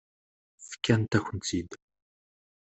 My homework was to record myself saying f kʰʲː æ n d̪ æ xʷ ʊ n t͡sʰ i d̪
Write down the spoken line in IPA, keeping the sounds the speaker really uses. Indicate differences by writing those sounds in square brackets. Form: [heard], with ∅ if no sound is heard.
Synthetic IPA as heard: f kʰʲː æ n [t̪] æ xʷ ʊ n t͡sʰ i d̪